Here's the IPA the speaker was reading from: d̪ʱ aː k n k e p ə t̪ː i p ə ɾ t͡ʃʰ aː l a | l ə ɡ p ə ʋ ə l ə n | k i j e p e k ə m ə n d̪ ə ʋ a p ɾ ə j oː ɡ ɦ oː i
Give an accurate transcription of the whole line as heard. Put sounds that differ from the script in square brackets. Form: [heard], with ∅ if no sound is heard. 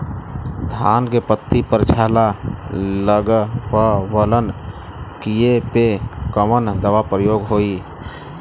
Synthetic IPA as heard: d̪ʱ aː [∅] n k e p ə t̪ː i p ə ɾ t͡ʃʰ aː l a | l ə ɡ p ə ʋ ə l ə n | k i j e p e k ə m ə n d̪ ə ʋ a p ɾ ə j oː ɡ ɦ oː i